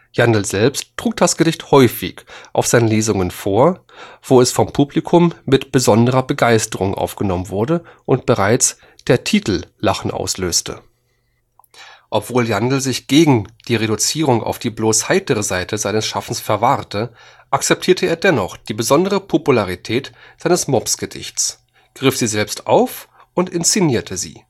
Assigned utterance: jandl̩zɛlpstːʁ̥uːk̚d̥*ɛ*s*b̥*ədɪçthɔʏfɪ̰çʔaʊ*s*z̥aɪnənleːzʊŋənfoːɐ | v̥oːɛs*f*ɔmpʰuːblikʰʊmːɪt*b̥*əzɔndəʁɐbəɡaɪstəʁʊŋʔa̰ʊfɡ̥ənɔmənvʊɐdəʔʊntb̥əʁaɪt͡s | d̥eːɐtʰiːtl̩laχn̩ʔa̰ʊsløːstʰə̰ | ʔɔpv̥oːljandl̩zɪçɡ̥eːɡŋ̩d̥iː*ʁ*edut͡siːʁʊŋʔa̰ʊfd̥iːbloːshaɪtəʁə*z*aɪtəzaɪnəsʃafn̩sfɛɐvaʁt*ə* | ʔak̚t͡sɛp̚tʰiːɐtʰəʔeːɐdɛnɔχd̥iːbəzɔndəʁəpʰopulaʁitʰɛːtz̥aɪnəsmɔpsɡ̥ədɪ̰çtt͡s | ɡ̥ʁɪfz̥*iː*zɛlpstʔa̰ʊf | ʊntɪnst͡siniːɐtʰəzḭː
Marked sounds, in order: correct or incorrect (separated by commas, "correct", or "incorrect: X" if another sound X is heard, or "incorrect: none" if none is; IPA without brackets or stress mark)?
incorrect: a, incorrect: ɡ̥, incorrect: f, correct, correct, correct, correct, correct, correct